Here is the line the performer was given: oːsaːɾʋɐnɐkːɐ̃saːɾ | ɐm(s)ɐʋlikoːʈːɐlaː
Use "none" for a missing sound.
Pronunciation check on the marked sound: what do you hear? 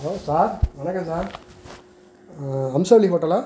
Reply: s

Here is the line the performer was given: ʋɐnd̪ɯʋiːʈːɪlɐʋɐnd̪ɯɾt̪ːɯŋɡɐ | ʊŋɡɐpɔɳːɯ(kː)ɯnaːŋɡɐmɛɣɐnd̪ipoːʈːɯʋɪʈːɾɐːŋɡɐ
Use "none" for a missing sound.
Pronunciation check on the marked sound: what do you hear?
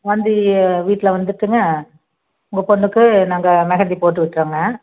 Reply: kː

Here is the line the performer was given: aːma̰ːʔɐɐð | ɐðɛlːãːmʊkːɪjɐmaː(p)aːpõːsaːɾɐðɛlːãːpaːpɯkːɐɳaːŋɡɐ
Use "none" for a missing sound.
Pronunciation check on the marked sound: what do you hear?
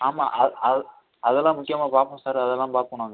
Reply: p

